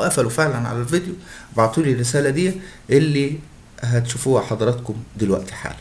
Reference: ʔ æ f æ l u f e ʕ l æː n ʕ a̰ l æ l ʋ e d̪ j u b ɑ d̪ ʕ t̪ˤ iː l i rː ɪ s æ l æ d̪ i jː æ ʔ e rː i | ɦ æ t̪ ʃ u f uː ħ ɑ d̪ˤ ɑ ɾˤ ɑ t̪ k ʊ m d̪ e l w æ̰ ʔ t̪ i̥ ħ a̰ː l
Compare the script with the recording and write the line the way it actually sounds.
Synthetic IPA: ʔ æ f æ l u f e ʕ l æ n ʕ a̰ l æ l v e d̪ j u b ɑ ʕ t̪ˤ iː l i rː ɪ s æː l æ d̪ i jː æ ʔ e lː i | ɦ æ t̪ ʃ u f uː ħ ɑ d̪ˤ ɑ ɾˤ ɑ t̪ k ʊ m d̪ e l w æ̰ ʔ t̪ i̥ ħ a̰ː l